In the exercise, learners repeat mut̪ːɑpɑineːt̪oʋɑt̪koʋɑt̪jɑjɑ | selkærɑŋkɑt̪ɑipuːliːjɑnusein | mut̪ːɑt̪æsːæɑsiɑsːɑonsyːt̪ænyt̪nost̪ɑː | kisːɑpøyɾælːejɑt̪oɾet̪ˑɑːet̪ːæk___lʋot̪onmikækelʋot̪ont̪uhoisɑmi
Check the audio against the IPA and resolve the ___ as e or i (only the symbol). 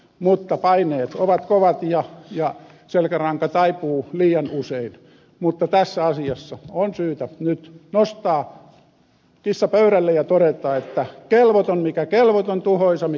e